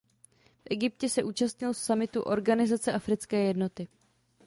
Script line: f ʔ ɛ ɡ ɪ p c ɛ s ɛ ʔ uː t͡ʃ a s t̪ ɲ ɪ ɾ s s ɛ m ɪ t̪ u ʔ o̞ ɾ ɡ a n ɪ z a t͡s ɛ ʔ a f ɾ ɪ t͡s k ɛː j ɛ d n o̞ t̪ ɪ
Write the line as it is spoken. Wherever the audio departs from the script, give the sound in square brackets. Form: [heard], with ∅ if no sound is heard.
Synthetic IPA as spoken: f ʔ ɛ ɡ ɪ p c ɛ s ɛ ʔ uː t͡ʃ a s t̪ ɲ ɪ [l] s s [a] m ɪ t̪ u ʔ o̞ ɾ ɡ a n ɪ z a t͡s ɛ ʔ a f ɾ ɪ t͡s k ɛː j ɛ d n o̞ t̪ ɪ

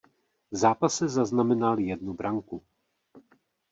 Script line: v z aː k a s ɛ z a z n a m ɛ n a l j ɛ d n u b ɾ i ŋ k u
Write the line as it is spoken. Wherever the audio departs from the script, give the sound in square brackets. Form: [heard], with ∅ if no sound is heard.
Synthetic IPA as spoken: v z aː [p] a s ɛ z a z n a m ɛ n a l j ɛ d n u b ɾ [a] ŋ k u

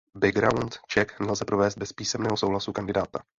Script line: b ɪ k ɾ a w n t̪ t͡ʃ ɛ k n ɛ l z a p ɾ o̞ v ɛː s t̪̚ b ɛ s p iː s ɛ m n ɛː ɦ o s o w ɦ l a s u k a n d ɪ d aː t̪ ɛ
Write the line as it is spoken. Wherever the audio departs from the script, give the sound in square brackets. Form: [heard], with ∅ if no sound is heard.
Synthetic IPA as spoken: b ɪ [ɡ] ɾ a w n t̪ t͡ʃ ɛ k n ɛ l z [ɛ] p ɾ o̞ v ɛː s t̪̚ b ɛ s p iː s ɛ m n ɛː ɦ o s o w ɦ l a s u k a n d ɪ d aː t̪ [a]

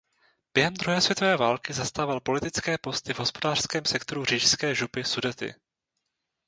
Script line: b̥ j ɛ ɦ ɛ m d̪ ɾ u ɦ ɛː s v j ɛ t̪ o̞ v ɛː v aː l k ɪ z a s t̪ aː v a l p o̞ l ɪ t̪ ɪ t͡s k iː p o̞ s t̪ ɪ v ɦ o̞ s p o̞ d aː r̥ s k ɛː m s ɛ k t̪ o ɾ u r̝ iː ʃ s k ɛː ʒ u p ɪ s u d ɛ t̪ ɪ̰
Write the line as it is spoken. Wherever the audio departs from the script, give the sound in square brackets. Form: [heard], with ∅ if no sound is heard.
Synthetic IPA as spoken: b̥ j ɛ ɦ ɛ m d̪ ɾ u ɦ ɛː s v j ɛ t̪ o̞ v ɛː v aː l k ɪ z a s t̪ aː v a l p o̞ l ɪ t̪ ɪ t͡s k [ɛː] p o̞ s t̪ ɪ v ɦ o̞ s p o̞ d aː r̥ s k ɛː m s ɛ k t̪ o ɾ u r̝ iː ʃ s k ɛː ʒ u p ɪ s u d ɛ t̪ ɪ̰

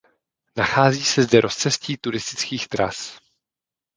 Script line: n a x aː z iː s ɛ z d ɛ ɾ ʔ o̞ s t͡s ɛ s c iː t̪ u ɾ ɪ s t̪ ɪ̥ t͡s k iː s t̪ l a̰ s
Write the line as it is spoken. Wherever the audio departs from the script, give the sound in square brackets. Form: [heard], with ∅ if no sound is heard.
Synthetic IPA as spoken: n a x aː z iː s ɛ z d ɛ ɾ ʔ o̞ s t͡s ɛ s c iː t̪ u ɾ ɪ s t̪ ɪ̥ t͡s k iː [x] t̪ [ɾ] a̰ s

